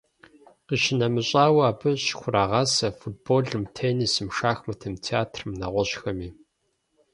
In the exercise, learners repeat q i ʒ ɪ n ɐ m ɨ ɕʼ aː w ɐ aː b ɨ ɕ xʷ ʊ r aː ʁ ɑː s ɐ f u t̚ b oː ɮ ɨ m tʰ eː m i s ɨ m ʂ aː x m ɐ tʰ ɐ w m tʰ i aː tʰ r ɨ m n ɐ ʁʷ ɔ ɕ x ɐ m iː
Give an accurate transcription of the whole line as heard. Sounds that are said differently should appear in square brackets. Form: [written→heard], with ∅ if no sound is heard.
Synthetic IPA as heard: q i [ʒ→ʃ] ɪ n ɐ m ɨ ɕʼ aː w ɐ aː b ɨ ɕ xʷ ʊ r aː ʁ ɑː s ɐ f u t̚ b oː ɮ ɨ m tʰ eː [m→n] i s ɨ m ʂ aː x m ɐ tʰ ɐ [w→∅] m tʰ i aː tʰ r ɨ m n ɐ ʁʷ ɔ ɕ x ɐ m iː